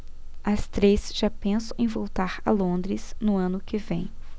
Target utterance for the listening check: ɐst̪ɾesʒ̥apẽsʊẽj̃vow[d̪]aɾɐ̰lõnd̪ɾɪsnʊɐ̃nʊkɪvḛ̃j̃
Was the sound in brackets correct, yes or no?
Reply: no